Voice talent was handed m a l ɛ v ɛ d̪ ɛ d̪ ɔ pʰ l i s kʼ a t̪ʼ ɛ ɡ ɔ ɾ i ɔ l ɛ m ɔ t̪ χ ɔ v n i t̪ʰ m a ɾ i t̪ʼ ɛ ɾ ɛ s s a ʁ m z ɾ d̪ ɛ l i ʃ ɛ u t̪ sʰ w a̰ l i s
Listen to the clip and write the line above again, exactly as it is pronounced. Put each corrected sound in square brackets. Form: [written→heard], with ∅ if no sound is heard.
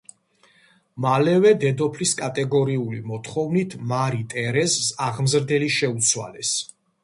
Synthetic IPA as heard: m a l ɛ v ɛ d̪ ɛ d̪ ɔ pʰ l i s kʼ a t̪ʼ ɛ ɡ ɔ ɾ i [ɔ→u] l [ɛ→i] m ɔ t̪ χ ɔ v n i t̪ʰ m a ɾ i t̪ʼ ɛ ɾ ɛ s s a ʁ m z ɾ d̪ ɛ l i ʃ ɛ u t̪ sʰ w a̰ l [i→ɛ] s